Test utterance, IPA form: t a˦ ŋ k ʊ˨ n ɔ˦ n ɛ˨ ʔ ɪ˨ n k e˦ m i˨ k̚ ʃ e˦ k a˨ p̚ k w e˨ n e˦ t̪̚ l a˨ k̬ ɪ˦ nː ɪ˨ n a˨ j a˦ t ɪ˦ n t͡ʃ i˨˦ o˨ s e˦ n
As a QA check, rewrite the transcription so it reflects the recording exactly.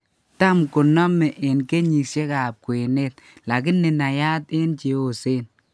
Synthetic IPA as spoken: t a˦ m k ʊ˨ n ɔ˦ m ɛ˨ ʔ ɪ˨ n k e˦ ɲ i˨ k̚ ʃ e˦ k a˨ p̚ k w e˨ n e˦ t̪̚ l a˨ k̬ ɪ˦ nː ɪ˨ n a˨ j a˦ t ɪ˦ n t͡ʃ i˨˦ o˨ s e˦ n